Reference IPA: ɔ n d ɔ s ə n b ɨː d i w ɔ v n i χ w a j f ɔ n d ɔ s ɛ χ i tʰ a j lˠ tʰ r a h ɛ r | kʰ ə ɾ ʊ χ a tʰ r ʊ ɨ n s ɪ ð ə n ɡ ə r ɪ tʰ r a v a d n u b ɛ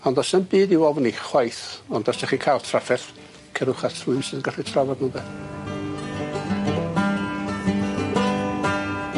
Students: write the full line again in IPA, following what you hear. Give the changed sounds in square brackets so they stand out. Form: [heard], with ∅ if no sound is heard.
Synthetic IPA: ɔ n d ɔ s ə n b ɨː d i w ɔ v n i χ w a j [θ] ɔ n d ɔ s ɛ χ i [kʰ] a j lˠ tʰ r a [f] ɛ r | kʰ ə ɾ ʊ χ a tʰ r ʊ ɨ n s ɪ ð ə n ɡ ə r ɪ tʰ r a v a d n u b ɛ

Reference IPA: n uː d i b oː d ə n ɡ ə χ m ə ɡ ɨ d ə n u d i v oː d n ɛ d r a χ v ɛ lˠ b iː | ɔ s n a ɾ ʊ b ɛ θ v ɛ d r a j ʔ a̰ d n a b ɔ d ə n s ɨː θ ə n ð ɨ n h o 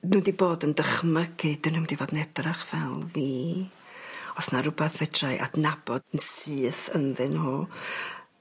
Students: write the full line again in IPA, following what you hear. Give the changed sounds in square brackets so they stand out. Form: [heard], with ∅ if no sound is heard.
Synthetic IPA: n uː d i b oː d ə n [d] ə χ m ə ɡ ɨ d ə n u d i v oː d n ɛ d r a χ v ɛ lˠ [v] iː | ɔ s n a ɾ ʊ b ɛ θ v ɛ d r a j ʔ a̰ d n a b ɔ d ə n s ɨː θ ə n ð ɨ n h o

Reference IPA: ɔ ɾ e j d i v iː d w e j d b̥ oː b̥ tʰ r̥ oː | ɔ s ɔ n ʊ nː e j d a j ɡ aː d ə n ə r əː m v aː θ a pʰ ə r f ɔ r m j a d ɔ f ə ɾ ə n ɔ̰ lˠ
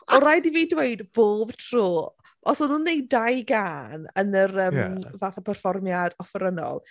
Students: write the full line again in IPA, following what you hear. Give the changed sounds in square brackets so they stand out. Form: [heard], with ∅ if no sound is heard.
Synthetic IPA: ɔ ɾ [a] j d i v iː d w e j d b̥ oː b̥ tʰ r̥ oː | ɔ s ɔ n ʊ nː e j d a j ɡ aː [n] ə n ə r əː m v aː θ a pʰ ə r f ɔ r m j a d ɔ f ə ɾ ə n ɔ̰ lˠ

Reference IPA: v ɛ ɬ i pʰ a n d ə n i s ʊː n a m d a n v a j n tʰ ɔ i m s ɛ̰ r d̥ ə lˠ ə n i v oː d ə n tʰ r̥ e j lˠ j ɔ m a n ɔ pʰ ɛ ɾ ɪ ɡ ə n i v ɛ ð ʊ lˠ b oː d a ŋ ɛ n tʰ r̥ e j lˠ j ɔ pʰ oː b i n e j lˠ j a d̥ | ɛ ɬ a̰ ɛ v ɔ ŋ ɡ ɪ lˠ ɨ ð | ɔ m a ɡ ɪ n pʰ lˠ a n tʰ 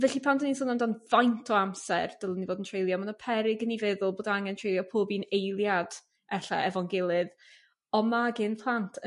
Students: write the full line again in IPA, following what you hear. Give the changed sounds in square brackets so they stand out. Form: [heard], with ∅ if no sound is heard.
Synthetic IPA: v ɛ ɬ i pʰ a n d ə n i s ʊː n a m d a n v a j n tʰ ɔ [a] m s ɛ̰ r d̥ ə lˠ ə n i v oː d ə n tʰ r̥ e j lˠ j ɔ m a n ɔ pʰ ɛ ɾ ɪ ɡ ə n i v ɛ ð ʊ lˠ b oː d a ŋ ɛ n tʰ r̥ e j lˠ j ɔ pʰ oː b i n e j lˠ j a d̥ | ɛ ɬ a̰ ɛ v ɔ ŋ ɡ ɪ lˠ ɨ ð | ɔ m a ɡ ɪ n pʰ lˠ a n tʰ

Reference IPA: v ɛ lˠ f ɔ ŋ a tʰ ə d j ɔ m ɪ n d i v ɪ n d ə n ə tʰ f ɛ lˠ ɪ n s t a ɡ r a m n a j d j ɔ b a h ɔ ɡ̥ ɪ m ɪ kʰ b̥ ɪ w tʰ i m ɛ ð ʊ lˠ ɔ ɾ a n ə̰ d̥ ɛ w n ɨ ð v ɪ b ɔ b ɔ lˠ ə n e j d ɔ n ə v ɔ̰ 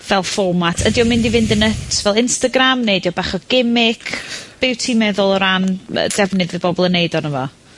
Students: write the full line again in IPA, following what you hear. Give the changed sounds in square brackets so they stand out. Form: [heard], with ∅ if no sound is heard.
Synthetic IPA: v ɛ lˠ f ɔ [m] a tʰ ə d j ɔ m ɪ n d i v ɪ n d ə n ə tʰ [v] ɛ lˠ ɪ n s t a ɡ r a m n [e] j d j ɔ b a [χ] ɔ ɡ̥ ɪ m ɪ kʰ b̥ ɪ w tʰ i m ɛ ð ʊ lˠ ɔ ɾ a n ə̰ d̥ ɛ [v] n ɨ ð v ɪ b ɔ b ɔ lˠ ə n e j d ɔ n ə v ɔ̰

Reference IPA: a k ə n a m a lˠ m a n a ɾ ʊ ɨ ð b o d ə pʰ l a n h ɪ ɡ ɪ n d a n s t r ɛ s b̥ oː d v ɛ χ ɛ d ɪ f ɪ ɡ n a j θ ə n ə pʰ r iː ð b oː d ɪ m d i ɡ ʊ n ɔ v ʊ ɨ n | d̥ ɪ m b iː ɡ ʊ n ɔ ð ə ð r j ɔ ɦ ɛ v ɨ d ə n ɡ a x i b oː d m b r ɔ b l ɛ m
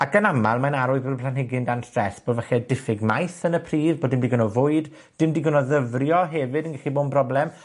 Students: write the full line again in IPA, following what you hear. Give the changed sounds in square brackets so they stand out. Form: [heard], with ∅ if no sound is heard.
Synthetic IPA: a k ə n a m a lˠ m a n a ɾ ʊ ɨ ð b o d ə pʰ l a n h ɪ ɡ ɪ n d a n s t r ɛ s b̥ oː d v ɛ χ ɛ d ɪ f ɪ ɡ [m] a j θ ə n ə pʰ r iː ð b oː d ɪ m d i ɡ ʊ n ɔ v ʊ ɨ [d] | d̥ ɪ m [d] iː ɡ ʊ n ɔ ð ə [v] r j ɔ ɦ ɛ v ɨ d ə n ɡ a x i b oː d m b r ɔ b l ɛ m

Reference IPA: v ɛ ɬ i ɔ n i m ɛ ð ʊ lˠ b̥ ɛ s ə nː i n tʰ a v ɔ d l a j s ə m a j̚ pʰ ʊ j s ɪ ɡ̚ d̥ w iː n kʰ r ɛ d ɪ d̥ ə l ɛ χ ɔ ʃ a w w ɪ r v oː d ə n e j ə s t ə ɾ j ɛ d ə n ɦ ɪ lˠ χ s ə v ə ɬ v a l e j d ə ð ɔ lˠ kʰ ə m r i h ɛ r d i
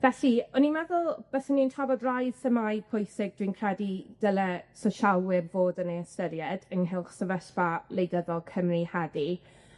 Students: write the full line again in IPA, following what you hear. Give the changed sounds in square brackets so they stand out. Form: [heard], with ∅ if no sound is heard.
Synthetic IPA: v ɛ ɬ i ɔ n i m ɛ ð ʊ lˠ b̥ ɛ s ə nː i n tʰ a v ɔ d [r] a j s ə m a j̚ pʰ ʊ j s ɪ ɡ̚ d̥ w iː n kʰ r ɛ d [i] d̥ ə l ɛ [s] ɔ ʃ a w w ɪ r v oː d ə n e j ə s t ə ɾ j ɛ d ə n ɦ ɪ lˠ χ s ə v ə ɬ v a l e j d ə ð ɔ lˠ kʰ ə m r i h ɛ [∅] d i

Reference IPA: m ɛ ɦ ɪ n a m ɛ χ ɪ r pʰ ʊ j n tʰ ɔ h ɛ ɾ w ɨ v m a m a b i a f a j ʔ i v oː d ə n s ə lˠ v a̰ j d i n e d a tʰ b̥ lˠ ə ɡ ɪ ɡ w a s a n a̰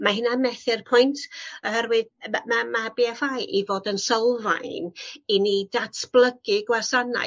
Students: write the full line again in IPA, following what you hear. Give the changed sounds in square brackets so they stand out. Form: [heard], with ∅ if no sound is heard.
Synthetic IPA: m [a] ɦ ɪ n a m ɛ [θ] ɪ r pʰ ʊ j n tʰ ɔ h ɛ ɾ w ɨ [ð] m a m a b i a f a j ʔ i v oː d ə n s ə lˠ v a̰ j [n] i n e d a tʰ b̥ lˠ ə ɡ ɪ ɡ w a s a n a̰

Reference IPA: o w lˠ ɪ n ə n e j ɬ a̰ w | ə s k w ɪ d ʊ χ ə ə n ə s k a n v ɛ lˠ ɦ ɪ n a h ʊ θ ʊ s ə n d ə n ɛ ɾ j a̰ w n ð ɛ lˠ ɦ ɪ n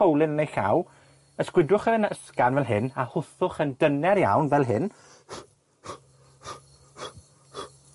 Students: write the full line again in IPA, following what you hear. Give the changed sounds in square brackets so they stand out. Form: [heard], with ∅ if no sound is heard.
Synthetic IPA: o w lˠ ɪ n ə n e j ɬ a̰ w | ə s k w ɪ d ʊ χ ə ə n ə s k a n v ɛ lˠ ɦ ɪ n a h ʊ θ ʊ [χ] ə n d ə n ɛ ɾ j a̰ w n [v] ɛ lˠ ɦ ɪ n

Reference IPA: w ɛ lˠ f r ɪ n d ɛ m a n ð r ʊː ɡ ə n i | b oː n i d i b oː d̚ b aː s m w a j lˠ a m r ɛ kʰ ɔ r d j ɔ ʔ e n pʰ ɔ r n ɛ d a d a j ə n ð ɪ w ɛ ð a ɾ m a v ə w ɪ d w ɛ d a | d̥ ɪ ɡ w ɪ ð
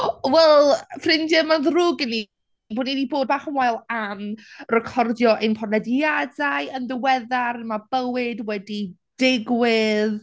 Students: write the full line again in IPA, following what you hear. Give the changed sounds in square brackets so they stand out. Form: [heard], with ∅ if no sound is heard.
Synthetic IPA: w ɛ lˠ f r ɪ n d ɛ m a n ð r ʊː ɡ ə n i | b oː n i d i b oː d̚ b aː [χ] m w a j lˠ a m r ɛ kʰ ɔ r d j ɔ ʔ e n pʰ ɔ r n ɛ d a d a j ə n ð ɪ w ɛ ð a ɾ m a [b] ə w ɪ d w ɛ d [i] | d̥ ɪ ɡ w ɪ ð

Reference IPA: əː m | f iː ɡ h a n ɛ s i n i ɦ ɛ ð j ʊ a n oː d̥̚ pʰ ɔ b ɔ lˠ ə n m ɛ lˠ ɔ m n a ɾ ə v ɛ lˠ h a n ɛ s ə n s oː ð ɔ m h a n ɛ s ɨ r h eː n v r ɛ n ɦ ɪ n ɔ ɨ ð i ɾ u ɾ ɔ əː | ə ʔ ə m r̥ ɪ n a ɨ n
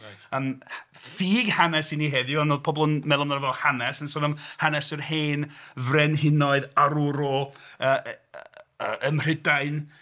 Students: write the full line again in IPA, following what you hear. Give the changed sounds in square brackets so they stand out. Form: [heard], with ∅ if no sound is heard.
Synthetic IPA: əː m | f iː ɡ h a n ɛ s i n i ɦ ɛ ð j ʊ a n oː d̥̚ pʰ ɔ b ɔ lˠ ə n m ɛ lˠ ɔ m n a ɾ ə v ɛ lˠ h a n ɛ s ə n s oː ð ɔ m h a n ɛ s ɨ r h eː n v r ɛ n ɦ ɪ n ɔ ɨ ð [a] ɾ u ɾ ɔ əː | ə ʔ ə m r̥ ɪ [d] a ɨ n

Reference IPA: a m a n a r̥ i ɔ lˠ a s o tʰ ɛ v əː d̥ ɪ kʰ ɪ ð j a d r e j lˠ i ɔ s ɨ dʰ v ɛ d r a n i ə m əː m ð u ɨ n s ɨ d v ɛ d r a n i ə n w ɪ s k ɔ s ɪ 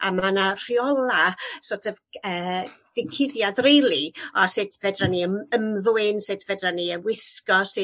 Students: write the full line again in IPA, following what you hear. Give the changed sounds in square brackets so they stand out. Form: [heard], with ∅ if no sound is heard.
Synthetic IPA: a m a n a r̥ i ɔ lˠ a s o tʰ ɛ v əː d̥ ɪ kʰ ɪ ð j a d r e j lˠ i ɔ s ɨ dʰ v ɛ d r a n i ə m [ə] m ð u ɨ n s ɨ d v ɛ d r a n i ə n w ɪ s k ɔ s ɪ

